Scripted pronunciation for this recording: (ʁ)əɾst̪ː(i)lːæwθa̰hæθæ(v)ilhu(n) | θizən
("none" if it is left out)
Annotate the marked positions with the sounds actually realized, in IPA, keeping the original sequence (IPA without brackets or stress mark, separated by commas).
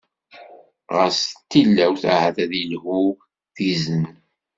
ʁ, i, ð, none